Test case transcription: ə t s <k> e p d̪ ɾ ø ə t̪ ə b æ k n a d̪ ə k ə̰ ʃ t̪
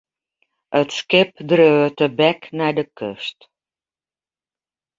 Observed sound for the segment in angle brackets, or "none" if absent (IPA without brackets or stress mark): k